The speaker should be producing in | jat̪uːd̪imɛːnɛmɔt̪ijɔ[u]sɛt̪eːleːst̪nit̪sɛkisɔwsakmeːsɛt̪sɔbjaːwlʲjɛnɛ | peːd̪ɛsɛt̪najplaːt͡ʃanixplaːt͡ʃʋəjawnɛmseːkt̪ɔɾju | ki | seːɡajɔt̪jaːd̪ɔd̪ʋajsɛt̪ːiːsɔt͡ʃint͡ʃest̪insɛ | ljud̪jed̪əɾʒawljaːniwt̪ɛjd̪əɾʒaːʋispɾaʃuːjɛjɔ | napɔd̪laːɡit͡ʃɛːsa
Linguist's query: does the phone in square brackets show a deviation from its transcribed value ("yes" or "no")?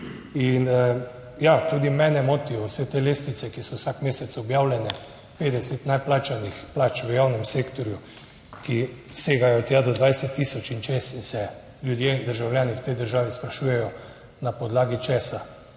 yes